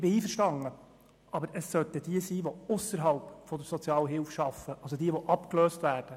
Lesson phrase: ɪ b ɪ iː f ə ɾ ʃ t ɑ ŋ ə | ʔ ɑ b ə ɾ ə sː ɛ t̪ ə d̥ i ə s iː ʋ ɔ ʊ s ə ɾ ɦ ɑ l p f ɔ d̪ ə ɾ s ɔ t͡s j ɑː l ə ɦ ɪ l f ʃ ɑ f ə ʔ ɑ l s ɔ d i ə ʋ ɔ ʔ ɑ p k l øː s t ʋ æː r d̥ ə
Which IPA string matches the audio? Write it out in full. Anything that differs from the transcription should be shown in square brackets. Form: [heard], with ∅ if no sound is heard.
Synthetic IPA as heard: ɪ b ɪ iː f ə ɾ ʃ t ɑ ŋ ə | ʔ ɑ b ə ɾ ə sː [œ] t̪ ə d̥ i ə s iː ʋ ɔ ʊ s ə ɾ ɦ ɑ l p f ɔ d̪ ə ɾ s ɔ t͡s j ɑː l ə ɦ ɪ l f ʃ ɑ f ə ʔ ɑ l s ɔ d i ə ʋ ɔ ʔ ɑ p k l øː s t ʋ æː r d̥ ə